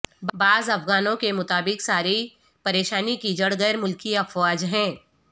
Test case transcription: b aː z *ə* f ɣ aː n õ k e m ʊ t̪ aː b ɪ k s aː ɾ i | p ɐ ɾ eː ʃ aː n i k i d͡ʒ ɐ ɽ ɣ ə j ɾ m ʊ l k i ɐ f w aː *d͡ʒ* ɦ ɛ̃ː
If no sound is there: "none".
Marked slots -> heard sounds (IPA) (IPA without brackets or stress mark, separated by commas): ɐ, d͡ʒ